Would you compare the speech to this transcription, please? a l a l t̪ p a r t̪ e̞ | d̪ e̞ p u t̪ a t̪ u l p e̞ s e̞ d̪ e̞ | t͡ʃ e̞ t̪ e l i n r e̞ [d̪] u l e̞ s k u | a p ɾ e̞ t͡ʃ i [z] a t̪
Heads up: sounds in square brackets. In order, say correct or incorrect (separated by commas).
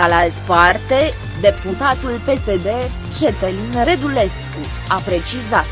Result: correct, correct